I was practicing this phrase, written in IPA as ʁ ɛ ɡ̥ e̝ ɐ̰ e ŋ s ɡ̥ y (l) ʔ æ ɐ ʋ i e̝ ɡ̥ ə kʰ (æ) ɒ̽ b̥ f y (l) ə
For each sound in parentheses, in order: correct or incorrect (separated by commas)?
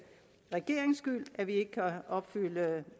correct, correct, correct